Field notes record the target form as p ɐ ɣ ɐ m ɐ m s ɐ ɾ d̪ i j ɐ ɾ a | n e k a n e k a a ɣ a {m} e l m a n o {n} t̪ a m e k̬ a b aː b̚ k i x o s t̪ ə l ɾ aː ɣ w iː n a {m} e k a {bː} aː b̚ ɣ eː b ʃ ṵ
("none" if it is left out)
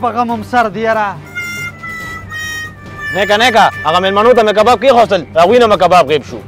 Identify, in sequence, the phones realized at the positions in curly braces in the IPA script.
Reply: m, none, m, b

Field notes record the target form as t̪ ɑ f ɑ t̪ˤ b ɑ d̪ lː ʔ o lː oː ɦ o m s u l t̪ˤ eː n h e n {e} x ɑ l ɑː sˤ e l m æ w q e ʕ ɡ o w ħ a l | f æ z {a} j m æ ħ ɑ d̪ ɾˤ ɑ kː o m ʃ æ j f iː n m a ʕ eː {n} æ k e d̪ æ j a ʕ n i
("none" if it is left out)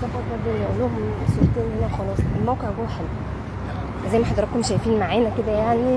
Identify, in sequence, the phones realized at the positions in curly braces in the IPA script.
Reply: æ, æ, n

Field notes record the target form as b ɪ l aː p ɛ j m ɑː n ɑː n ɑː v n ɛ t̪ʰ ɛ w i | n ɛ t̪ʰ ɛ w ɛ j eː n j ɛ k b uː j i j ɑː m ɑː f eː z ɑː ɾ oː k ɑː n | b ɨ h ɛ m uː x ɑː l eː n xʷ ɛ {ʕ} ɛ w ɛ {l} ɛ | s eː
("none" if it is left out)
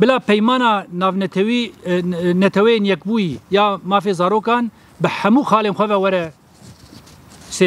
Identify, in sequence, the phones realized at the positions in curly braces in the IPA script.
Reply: v, ɾ

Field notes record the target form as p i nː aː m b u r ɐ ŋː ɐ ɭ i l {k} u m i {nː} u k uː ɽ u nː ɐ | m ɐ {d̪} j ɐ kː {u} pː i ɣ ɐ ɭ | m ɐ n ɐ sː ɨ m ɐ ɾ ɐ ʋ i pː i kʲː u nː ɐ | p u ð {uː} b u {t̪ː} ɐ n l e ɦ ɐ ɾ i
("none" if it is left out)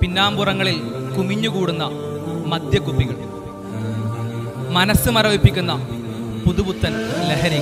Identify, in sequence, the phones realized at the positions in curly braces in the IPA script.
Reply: k, ɲː, d̪, u, u, t̪ː

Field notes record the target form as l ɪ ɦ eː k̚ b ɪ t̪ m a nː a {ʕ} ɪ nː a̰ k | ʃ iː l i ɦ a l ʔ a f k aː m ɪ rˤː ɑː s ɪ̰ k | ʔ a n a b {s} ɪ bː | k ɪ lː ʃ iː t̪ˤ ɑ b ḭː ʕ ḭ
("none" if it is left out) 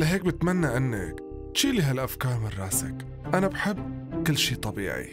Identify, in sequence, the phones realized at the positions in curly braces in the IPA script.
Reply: ʕ, ħ

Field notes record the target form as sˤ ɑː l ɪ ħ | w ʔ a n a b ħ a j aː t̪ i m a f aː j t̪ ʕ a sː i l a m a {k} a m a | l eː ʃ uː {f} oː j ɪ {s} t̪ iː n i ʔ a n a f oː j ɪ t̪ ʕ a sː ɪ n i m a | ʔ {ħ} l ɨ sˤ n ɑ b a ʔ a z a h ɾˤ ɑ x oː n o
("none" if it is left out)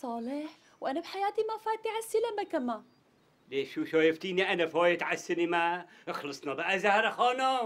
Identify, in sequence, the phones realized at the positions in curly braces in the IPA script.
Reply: k, ʃ, f, x

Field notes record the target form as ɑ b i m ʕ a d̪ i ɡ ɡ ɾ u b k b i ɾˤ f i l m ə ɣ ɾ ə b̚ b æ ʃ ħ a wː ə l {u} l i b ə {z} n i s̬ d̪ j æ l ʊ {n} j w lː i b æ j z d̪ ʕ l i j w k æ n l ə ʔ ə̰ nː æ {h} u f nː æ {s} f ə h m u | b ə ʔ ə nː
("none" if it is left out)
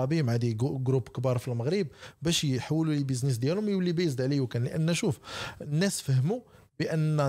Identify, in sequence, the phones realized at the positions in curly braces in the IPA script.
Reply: u, z, m, ʃ, s

